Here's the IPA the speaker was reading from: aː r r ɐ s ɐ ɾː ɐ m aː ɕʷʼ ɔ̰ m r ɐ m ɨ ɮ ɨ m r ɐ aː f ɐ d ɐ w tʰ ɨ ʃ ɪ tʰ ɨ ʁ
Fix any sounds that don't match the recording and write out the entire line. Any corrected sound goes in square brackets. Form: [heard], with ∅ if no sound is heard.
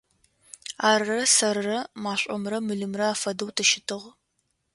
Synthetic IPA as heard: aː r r ɐ s ɐ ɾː ɐ m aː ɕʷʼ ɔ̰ m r ɐ m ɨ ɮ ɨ m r ɐ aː f ɐ d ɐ w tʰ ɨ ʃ ɪ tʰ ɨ ʁ